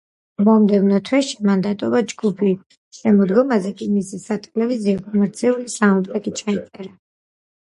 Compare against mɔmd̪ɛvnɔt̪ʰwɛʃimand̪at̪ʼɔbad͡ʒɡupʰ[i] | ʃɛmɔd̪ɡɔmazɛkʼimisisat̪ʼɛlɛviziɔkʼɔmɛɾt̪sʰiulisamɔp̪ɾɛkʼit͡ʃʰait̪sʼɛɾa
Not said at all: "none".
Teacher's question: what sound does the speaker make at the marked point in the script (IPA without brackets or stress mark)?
i